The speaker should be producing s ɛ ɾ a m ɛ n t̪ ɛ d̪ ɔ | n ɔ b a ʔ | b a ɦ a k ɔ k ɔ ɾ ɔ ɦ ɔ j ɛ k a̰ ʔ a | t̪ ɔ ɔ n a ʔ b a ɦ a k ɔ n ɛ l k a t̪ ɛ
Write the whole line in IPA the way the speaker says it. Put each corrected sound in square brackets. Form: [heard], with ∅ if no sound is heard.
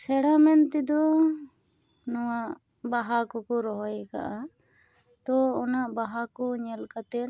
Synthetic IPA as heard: s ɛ [ɽ] a m ɛ n t̪ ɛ d̪ ɔ | n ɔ [w] a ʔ | b a ɦ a k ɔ k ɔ ɾ ɔ ɦ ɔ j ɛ k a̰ ʔ a | t̪ ɔ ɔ n a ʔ b a ɦ a k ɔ [ɲ] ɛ l k a t̪ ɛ